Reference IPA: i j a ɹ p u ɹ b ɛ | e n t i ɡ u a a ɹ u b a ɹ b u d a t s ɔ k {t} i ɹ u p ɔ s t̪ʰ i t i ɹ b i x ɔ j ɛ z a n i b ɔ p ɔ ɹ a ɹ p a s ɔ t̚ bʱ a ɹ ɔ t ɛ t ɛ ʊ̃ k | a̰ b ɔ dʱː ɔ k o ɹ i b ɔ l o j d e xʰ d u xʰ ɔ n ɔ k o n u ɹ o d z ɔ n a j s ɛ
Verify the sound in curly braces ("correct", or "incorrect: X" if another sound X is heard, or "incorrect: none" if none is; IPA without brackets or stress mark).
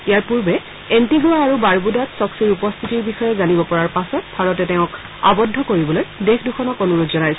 incorrect: s